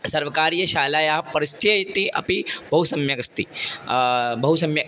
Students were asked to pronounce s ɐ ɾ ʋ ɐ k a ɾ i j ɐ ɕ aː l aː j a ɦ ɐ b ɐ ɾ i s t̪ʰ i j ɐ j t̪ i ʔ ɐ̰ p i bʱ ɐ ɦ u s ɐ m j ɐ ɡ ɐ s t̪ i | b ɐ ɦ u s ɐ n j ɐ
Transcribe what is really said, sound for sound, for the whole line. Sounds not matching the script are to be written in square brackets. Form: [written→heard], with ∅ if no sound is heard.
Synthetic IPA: s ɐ ɾ ʋ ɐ k a ɾ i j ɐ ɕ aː l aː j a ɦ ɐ [b→p] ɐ ɾ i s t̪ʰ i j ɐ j t̪ i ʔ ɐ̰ p i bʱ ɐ ɦ u s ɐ m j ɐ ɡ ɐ s t̪ i | b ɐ ɦ u s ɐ [n→m] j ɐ